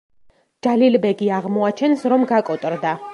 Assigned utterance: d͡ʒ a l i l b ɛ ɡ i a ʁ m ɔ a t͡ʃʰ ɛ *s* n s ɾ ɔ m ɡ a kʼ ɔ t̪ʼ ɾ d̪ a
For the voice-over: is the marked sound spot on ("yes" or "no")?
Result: no